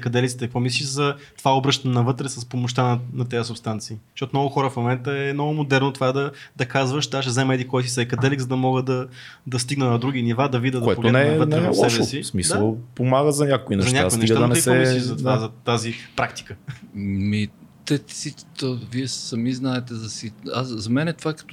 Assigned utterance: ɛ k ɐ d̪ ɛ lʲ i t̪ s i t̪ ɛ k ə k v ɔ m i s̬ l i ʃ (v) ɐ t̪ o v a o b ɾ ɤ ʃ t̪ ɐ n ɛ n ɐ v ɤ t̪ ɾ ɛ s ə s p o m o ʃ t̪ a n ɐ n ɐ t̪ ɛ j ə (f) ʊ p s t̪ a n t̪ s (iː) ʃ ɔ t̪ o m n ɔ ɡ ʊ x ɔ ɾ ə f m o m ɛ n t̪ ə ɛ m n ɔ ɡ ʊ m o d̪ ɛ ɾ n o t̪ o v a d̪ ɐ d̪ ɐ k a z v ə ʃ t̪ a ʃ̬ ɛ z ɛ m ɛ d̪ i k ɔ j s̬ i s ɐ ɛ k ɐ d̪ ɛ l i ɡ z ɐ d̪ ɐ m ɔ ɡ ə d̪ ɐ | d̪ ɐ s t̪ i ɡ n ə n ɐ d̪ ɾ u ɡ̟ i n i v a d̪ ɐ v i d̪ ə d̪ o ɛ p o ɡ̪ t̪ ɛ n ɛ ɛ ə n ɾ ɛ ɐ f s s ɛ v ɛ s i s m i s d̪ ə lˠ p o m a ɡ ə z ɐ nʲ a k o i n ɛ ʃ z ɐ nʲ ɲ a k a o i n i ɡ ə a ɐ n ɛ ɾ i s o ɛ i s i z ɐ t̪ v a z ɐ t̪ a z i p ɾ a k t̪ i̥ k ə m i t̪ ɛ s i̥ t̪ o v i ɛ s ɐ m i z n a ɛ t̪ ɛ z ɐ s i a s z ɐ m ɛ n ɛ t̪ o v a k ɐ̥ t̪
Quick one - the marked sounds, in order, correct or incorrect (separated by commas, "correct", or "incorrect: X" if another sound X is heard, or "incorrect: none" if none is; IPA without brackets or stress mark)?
incorrect: z, incorrect: s, correct